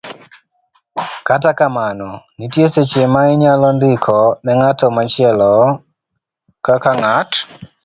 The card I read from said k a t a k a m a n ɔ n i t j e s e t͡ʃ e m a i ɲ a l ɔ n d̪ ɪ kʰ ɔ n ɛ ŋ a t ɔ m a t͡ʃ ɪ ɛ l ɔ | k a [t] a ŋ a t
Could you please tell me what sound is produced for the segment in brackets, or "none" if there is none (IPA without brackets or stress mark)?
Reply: k